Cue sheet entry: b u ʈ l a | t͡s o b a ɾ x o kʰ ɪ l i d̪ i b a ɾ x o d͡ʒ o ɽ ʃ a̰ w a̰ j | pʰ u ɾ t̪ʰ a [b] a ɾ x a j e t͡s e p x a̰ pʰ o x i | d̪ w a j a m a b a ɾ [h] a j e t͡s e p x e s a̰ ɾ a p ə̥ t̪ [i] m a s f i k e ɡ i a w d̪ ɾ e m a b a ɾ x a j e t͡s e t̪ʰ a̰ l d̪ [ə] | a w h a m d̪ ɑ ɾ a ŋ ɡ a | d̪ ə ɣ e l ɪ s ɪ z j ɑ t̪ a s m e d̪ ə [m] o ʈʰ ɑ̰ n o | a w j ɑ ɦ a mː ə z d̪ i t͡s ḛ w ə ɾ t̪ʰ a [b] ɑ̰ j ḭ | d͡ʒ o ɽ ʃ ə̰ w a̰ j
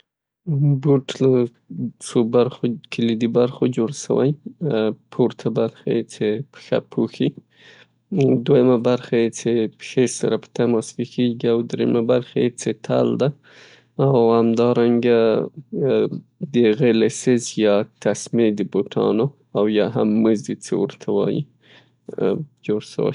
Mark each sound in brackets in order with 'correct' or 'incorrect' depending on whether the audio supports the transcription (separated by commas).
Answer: correct, incorrect, incorrect, incorrect, incorrect, incorrect